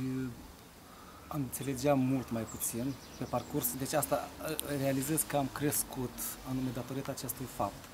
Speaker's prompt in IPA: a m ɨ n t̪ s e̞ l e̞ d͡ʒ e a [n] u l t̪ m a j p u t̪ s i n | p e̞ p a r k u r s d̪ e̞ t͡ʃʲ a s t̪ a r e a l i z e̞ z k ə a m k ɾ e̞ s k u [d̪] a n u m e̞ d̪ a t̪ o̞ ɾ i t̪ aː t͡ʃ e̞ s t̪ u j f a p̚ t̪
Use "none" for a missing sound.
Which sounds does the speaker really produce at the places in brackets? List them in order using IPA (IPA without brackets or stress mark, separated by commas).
m, t̪